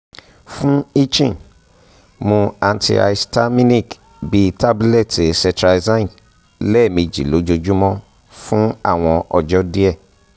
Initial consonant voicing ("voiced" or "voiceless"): voiceless